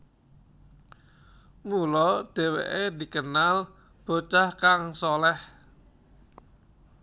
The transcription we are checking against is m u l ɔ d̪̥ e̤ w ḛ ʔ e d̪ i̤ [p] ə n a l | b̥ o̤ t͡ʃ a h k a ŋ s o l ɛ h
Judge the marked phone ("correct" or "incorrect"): incorrect